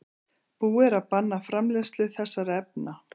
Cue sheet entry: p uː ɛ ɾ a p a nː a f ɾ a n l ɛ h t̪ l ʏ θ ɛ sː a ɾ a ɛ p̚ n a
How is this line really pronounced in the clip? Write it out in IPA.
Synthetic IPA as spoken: p uː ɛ ɾ a p a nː a f ɾ a m l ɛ s t̪ l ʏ θ ɛ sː a ɾ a ɛ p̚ n a